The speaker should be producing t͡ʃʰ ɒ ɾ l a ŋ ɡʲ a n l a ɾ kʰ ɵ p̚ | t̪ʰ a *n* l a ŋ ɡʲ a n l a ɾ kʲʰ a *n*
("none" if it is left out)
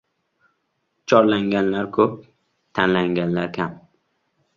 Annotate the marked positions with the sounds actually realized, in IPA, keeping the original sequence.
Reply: n, m

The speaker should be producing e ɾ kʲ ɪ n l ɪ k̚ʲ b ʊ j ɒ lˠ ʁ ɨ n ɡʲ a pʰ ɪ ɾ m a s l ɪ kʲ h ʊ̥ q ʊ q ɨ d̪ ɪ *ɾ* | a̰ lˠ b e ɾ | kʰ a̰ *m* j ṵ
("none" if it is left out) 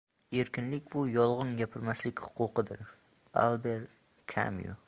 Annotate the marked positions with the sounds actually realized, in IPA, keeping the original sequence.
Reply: ɾ, m

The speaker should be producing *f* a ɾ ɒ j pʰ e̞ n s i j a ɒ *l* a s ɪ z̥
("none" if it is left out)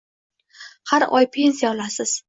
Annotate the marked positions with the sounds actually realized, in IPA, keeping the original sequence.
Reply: h, l

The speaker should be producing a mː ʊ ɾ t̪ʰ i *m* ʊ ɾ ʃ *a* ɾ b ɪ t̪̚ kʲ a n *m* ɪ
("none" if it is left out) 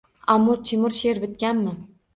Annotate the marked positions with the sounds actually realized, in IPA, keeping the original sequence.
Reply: m, e, m

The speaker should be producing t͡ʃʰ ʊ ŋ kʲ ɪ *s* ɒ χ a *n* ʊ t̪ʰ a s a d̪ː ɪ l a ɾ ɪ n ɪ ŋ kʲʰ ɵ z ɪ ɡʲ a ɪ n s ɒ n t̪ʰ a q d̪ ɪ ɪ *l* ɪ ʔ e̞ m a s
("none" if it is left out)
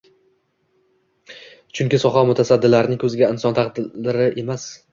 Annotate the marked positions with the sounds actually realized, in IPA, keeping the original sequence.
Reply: s, m, ɾ

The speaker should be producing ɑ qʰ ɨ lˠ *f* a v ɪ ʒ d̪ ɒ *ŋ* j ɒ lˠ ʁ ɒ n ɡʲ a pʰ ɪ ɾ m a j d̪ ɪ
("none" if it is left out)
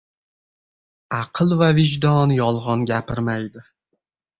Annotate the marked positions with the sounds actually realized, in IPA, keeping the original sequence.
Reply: v, n

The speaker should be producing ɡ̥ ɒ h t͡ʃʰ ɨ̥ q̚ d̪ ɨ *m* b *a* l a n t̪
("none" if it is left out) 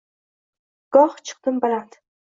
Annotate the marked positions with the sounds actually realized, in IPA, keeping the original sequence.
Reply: m, a

